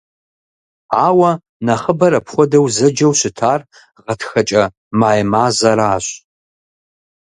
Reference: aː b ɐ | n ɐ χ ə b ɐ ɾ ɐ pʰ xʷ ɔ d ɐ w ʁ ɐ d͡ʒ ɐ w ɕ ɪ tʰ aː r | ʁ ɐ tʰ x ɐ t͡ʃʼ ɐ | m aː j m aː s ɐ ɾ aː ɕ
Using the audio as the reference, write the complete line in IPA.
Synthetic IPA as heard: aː w ɐ | n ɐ χ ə b ɐ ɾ ɐ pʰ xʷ ɔ d ɐ w z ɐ d͡ʒ ɐ w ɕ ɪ tʰ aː r | ʁ ɐ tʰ x ɐ t͡ʃʼ ɐ | m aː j m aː z ɐ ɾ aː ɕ